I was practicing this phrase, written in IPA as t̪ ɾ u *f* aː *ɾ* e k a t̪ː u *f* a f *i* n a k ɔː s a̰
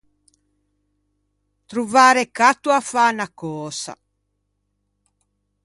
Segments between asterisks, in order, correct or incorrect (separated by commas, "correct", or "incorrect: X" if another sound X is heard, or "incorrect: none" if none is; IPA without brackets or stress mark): incorrect: v, correct, incorrect: none, incorrect: a